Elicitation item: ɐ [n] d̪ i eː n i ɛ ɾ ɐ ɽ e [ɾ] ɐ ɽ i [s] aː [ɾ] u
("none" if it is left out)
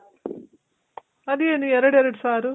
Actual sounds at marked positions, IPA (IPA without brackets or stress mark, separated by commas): none, ɾ, s, ɾ